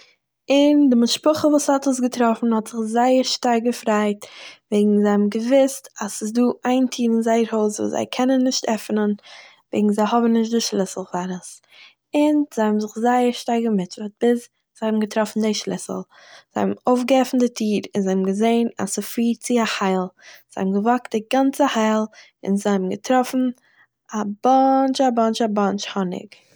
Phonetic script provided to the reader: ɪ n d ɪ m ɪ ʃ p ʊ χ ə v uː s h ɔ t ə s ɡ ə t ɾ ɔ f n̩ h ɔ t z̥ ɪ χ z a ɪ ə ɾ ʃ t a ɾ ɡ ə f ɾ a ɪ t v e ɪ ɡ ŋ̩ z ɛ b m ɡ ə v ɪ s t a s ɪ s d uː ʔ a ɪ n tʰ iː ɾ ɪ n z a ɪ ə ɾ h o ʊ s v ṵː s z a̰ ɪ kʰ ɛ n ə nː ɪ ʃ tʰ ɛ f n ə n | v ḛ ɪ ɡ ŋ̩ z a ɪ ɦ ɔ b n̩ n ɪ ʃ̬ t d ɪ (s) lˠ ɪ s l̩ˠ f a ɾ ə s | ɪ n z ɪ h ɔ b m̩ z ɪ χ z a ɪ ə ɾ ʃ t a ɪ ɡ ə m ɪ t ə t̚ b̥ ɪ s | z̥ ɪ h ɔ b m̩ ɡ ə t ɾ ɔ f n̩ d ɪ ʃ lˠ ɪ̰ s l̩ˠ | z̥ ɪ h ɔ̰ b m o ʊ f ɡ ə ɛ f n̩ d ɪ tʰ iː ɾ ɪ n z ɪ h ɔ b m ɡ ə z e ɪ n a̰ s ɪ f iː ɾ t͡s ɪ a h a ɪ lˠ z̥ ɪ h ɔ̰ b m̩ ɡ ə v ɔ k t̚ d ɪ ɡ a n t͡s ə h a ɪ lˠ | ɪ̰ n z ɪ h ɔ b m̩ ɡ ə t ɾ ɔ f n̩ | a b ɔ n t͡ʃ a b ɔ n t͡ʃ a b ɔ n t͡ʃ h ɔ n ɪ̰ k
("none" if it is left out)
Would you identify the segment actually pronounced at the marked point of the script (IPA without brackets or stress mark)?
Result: ʃ